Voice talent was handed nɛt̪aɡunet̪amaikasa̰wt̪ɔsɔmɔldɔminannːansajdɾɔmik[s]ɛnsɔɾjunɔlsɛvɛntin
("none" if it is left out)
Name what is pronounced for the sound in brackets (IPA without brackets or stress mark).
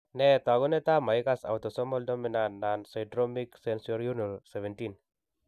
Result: s